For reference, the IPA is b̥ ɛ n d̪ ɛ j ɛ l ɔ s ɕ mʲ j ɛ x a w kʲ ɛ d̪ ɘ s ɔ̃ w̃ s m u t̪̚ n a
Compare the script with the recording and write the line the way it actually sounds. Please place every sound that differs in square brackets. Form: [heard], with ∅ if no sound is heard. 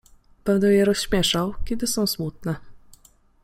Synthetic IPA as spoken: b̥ ɛ n d̪ ɛ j ɛ [ɾ] ɔ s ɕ mʲ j ɛ [ʂ] a w kʲ ɛ d̪ ɘ s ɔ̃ w̃ s m u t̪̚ n [ɛ]

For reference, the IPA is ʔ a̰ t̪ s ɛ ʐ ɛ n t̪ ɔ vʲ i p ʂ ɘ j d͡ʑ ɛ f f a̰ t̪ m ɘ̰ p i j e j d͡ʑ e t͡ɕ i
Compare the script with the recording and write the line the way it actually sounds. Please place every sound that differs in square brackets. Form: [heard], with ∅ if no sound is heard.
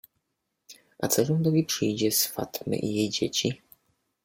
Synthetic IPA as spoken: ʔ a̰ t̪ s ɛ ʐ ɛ n [d̪] ɔ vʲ i p ʂ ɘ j d͡ʑ ɛ [s] f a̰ t̪ m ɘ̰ [ʔ] i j e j d͡ʑ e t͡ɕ i

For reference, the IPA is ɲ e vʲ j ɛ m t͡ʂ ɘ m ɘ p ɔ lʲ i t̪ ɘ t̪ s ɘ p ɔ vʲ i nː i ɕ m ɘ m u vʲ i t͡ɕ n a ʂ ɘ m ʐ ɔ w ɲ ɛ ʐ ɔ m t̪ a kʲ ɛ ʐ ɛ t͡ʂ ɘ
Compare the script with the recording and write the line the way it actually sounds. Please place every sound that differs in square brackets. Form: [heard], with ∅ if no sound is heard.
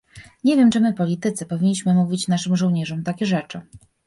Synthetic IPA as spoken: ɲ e vʲ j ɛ m t͡ʂ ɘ m ɘ p ɔ lʲ i t̪ ɘ t̪ s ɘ p ɔ vʲ i [ɲː] i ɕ m ɘ m u vʲ i t͡ɕ n a ʂ ɘ m ʐ ɔ w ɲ ɛ ʐ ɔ m t̪ a kʲ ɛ ʐ ɛ t͡ʂ ɘ

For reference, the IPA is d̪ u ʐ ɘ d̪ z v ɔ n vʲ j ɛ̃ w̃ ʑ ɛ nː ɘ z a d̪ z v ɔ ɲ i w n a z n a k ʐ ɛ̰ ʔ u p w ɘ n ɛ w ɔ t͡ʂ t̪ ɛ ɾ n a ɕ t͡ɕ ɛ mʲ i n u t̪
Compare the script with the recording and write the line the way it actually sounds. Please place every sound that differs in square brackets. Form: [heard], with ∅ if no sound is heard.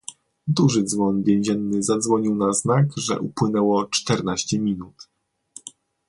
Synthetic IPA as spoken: d̪ u ʐ ɘ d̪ z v ɔ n vʲ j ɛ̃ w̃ ʑ ɛ nː ɘ z a d̪ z v ɔ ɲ i w n a z n a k ʐ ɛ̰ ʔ u p w ɘ n ɛ w ɔ t͡ʂ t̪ ɛ ɾ n a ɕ t͡ɕ ɛ mʲ i n u t̪

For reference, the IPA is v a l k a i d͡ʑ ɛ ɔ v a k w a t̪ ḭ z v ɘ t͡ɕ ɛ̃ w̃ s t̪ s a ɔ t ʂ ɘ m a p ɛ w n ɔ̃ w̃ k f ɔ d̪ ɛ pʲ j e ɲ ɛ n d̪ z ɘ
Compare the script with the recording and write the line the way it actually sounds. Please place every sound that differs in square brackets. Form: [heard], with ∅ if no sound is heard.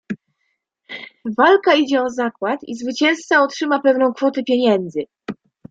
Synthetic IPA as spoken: v a l k a i d͡ʑ ɛ ɔ [z] a k w a t̪ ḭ z v ɘ t͡ɕ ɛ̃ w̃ s t̪ s a ɔ t ʂ ɘ m a p ɛ [v] n ɔ̃ w̃ k f ɔ [t̪] ɛ pʲ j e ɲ ɛ n d̪ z ɘ

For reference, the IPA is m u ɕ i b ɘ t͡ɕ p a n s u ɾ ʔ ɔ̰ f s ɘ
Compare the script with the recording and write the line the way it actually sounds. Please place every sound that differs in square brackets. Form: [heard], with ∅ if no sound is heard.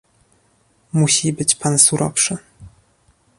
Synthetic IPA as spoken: m u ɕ i b ɘ t͡ɕ p a n s u ɾ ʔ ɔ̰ f [ʂ] ɘ

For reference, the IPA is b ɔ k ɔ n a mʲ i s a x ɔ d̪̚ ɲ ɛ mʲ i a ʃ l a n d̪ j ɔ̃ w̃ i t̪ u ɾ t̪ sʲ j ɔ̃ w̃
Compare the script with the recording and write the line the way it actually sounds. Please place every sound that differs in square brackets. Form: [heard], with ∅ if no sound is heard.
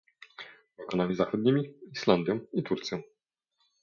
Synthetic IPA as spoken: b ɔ k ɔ n a mʲ i [z] a x ɔ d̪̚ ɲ [i] mʲ i [i] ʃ l a n d̪ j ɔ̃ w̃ i t̪ u ɾ t̪ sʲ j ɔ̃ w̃

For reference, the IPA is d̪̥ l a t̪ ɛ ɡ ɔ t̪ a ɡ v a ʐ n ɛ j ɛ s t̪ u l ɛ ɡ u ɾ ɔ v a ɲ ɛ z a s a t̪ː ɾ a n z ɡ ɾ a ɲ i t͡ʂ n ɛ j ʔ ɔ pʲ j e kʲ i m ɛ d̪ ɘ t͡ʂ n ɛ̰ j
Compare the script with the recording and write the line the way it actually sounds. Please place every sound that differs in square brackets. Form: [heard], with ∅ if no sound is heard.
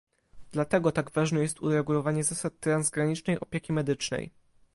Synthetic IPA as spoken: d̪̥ l a t̪ ɛ ɡ ɔ t̪ a ɡ v a ʐ n ɛ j ɛ s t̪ u [ɾ] ɛ ɡ u [l] ɔ v a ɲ ɛ z a s a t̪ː ɾ a n z ɡ ɾ a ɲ i t͡ʂ n ɛ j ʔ ɔ pʲ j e kʲ i m ɛ d̪ ɘ t͡ʂ n ɛ̰ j

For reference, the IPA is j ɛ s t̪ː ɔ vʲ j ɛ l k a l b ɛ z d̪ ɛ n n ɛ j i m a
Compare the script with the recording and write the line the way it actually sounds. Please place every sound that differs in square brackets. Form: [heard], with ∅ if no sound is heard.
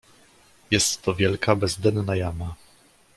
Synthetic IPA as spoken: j ɛ s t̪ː ɔ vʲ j ɛ l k a [∅] b ɛ z d̪ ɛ n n [a] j [a] m a

